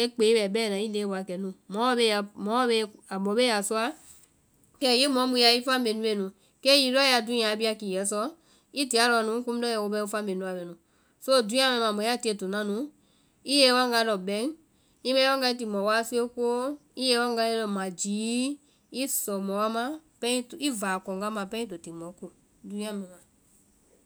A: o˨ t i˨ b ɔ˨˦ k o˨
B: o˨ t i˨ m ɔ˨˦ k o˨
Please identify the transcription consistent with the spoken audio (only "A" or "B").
B